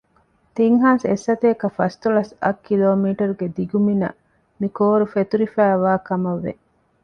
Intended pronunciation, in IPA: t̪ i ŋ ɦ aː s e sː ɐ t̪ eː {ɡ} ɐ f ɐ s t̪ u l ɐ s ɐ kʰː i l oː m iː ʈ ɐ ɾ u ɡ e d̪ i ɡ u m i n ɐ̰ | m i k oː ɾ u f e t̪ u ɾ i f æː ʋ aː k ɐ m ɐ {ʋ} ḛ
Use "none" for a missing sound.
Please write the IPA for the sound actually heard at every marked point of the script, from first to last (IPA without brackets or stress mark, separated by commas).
k, ʋː